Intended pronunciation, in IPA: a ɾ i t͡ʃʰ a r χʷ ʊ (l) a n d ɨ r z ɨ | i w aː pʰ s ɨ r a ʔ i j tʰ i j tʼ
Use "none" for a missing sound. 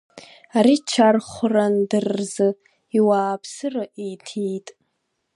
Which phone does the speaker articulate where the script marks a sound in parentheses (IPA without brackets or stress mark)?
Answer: r